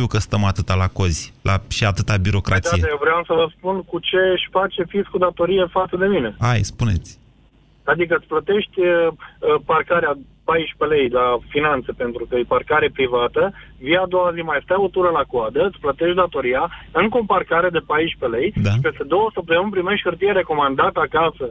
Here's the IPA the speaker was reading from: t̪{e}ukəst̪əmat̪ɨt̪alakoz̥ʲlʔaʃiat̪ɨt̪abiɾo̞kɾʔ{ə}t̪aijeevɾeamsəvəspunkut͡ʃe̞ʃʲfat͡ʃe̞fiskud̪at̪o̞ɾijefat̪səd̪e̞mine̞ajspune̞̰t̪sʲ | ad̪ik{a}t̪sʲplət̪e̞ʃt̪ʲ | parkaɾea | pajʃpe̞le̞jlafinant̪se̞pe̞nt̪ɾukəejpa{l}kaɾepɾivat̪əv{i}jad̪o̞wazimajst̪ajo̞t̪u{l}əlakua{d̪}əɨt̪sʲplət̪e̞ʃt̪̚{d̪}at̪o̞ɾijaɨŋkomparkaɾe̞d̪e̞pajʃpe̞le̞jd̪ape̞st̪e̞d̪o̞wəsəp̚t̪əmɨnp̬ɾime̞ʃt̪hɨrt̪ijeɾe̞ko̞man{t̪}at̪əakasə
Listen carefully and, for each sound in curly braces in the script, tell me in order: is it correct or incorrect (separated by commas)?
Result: incorrect, incorrect, incorrect, incorrect, correct, incorrect, correct, correct, incorrect